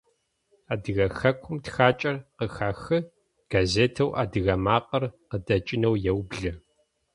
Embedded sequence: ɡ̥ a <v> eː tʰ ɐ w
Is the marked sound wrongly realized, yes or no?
yes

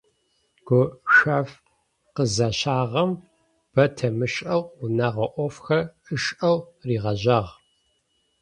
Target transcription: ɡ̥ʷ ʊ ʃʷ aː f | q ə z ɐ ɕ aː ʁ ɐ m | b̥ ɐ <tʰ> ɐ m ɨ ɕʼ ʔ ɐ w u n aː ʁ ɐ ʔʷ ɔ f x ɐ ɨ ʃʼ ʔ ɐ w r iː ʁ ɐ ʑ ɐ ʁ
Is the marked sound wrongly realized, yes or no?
no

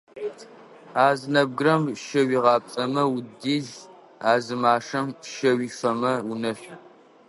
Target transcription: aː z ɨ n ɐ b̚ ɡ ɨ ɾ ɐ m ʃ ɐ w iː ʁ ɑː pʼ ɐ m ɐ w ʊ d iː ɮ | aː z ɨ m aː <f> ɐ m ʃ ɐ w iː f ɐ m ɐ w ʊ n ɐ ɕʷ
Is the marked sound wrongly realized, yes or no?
yes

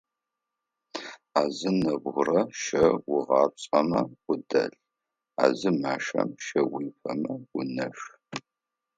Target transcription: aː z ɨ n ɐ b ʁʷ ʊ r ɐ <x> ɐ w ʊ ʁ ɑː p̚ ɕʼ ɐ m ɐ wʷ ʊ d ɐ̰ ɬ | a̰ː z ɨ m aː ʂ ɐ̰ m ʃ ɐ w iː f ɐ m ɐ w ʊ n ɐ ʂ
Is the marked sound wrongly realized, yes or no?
yes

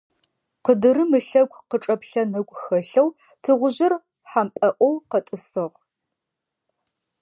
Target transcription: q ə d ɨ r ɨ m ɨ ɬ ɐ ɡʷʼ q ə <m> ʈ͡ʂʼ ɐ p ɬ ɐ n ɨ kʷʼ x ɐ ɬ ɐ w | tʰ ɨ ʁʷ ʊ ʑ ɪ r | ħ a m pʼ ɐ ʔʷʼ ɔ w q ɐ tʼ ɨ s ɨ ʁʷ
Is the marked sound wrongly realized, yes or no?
yes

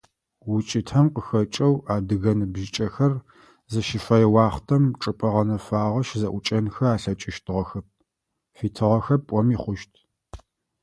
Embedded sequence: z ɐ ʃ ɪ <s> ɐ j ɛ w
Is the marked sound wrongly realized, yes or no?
yes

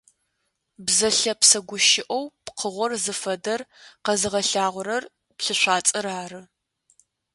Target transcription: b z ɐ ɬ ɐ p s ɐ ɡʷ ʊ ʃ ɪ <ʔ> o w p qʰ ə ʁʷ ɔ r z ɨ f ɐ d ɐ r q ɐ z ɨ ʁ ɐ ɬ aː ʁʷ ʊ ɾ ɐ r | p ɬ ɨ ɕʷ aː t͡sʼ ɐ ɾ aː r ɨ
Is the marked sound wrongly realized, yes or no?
no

